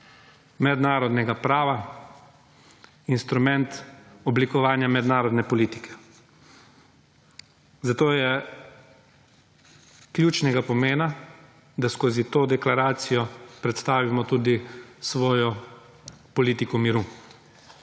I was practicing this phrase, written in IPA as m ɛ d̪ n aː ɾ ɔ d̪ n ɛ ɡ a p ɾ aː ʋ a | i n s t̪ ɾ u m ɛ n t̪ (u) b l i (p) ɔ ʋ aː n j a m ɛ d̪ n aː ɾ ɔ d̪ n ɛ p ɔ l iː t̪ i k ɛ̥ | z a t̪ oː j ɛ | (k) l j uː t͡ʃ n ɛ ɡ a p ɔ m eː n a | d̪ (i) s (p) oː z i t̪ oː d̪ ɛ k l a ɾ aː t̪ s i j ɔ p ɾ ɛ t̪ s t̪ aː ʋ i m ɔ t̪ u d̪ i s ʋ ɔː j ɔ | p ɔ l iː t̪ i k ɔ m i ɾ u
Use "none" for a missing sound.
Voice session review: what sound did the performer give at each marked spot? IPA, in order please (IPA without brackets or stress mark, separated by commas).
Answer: ɔ, k, k, a, k